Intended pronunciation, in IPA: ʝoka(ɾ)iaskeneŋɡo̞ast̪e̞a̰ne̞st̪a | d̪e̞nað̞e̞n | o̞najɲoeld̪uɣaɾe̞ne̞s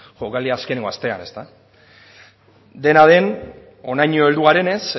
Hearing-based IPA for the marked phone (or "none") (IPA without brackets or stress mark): l